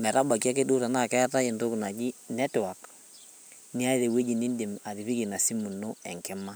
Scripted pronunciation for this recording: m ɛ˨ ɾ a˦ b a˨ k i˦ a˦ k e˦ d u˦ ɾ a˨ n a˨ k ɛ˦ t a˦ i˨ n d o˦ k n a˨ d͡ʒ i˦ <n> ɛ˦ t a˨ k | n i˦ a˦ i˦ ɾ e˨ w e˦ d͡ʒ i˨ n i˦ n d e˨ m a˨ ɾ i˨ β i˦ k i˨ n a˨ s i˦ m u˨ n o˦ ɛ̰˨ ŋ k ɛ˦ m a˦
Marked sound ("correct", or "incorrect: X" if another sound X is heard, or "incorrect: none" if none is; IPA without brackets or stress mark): correct